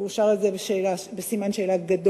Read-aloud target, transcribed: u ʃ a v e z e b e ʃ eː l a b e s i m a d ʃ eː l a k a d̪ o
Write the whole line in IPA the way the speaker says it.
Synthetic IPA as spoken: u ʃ a ʁ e z e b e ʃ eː l a b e s i m a n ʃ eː l a ɡ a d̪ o